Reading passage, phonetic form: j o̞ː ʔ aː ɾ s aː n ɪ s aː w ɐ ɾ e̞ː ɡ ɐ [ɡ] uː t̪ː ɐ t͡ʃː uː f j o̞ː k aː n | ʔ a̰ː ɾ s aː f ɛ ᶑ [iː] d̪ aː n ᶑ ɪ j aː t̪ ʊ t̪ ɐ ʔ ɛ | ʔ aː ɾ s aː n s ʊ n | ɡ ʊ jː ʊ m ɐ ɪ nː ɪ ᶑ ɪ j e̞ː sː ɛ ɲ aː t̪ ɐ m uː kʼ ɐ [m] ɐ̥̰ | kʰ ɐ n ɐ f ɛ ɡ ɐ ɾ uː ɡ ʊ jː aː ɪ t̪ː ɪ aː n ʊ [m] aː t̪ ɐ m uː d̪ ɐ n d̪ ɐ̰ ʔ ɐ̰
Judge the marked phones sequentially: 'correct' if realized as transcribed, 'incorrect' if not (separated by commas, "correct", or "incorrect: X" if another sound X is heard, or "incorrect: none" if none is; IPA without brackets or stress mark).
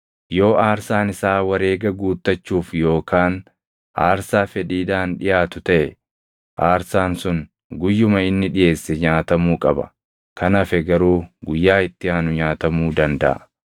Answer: correct, correct, incorrect: b, incorrect: ɲ